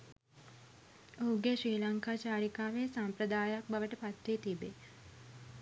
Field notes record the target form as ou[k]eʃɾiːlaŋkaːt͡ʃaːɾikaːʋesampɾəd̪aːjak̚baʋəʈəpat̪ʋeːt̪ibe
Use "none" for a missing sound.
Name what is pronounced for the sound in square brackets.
ɡ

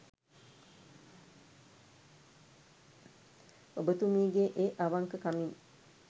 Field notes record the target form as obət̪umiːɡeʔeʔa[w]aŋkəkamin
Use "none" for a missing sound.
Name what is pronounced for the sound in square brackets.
ʋ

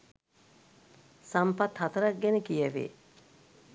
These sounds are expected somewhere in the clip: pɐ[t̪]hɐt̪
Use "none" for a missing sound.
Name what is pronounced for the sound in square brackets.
t̪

